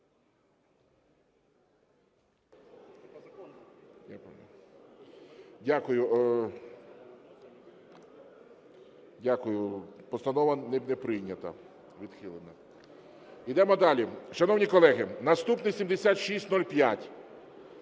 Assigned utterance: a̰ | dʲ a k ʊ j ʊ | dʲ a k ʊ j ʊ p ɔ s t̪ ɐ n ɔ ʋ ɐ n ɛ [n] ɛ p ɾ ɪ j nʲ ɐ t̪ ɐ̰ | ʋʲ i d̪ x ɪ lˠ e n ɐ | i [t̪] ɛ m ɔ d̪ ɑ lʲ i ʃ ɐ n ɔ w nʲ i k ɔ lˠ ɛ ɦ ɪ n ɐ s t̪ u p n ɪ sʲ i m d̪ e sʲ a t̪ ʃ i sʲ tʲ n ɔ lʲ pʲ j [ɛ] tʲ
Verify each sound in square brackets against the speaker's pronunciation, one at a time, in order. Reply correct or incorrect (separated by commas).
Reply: correct, incorrect, incorrect